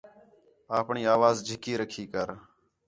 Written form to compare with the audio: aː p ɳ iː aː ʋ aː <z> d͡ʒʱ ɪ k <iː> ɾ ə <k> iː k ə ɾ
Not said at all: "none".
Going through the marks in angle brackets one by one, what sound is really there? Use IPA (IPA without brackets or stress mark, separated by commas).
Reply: z, iː, kʰ